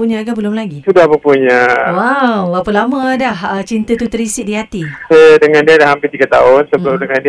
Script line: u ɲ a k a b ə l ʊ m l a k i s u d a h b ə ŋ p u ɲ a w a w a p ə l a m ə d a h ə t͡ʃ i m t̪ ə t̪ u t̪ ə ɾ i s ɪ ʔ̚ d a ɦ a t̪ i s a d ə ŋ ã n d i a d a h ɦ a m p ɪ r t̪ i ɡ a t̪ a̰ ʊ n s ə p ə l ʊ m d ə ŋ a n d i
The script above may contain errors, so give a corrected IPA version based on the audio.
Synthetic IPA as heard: u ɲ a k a b ə l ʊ m l a ɡ i s u d a h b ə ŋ p u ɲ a w a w a p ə l a m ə d a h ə t͡ʃ i n t̪ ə t̪ u t̪ ə ɾ i s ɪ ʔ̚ d i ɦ a t̪ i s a d ə ŋ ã n d i a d a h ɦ a m p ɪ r t̪ i ɡ a t̪ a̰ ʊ n s ə b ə l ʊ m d ə ŋ a n d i